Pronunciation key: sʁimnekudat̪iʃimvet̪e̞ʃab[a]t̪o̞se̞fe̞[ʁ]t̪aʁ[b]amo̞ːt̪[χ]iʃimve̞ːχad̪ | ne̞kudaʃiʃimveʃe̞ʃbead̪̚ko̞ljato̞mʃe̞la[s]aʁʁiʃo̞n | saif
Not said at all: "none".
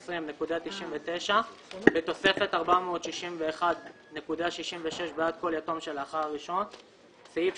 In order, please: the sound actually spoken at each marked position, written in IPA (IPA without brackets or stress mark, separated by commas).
e, none, b, ʃ, χ